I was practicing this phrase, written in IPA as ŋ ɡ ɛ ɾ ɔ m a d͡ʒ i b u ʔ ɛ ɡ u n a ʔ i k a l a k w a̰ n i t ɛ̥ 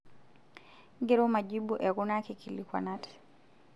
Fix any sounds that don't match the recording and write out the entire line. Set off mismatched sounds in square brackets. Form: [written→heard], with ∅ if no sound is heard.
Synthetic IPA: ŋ ɡ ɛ ɾ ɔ m a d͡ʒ i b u ʔ ɛ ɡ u n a [ʔ→k] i k [a→i] l [a→i] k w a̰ n [i→a] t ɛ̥